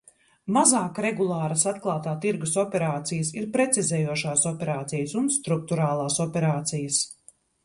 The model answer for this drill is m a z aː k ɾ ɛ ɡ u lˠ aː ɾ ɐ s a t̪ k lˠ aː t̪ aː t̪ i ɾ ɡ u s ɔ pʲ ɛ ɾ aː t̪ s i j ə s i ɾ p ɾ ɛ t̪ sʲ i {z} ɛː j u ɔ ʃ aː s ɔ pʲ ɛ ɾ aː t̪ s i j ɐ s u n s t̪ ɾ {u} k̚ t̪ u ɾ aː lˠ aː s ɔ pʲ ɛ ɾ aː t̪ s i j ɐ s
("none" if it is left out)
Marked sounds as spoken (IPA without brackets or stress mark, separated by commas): z, u